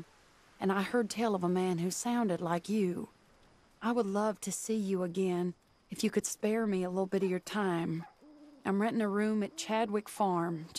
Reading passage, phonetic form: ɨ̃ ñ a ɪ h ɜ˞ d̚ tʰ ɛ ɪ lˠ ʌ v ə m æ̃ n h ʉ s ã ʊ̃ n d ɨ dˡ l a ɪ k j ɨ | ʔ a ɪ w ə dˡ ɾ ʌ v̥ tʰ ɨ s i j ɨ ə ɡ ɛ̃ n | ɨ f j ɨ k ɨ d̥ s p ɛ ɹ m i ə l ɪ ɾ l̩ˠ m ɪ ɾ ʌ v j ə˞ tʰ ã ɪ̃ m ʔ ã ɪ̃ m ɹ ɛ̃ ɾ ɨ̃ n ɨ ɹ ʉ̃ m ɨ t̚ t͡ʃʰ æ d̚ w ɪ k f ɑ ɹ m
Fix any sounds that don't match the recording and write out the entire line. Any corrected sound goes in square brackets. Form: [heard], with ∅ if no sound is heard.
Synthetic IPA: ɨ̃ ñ a ɪ h ɜ˞ d̚ tʰ ɛ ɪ lˠ ʌ v ə m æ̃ n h ʉ s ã ʊ̃ n d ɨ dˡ l a ɪ k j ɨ | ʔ a ɪ w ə dˡ [l] ʌ v̥ tʰ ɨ s i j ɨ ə ɡ ɛ̃ n | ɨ f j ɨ k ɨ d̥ s p ɛ ɹ m i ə l ɪ ɾ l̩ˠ [b] ɪ ɾ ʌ v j ə˞ tʰ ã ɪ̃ m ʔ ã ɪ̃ m ɹ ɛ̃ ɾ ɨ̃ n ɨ ɹ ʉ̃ m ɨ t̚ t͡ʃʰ æ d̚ w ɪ k f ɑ ɹ m